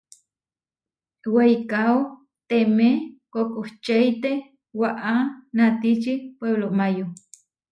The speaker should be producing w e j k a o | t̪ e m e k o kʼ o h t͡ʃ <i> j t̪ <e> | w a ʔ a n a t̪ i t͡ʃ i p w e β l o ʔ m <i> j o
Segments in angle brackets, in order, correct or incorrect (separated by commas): incorrect, correct, incorrect